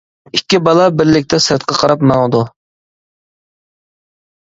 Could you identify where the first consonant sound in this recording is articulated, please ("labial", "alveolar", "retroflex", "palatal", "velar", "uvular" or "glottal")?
velar